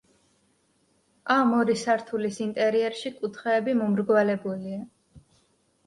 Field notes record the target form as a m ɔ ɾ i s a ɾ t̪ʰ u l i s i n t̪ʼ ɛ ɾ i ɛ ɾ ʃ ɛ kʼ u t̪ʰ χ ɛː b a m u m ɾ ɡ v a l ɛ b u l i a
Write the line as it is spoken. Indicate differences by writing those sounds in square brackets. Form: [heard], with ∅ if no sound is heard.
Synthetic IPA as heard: a m ɔ ɾ i s a ɾ t̪ʰ u l i s i n t̪ʼ ɛ ɾ i ɛ ɾ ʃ [i] kʼ u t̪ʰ χ ɛː b [i] m [ɔ] m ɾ ɡ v a l ɛ b u l i a